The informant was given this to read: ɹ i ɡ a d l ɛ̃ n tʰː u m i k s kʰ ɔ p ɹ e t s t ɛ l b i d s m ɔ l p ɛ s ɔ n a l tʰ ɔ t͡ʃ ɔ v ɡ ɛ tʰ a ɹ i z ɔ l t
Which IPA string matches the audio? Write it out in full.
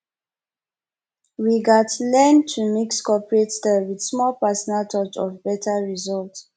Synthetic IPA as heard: ɹ i ɡ a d l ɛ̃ n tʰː u m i k s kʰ ɔ p ɹ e t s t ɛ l w i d s m ɔ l p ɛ s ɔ n a l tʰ ɔ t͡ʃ ɔ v b ɛ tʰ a ɹ i z ɔ l t

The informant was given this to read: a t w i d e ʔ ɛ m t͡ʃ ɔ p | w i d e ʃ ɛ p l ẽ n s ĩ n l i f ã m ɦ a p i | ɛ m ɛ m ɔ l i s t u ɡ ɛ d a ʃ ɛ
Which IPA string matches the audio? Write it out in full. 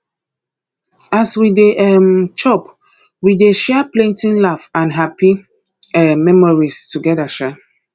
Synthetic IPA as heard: a s w i d e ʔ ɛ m t͡ʃ ɔ p | w i d e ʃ ɛ p l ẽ n t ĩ n l a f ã n ɦ a p i | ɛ m ɛ m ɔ ɹ i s t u ɡ ɛ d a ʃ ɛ

